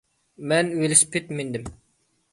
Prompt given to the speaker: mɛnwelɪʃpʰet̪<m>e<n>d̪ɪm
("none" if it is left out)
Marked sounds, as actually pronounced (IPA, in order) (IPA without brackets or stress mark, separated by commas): m, n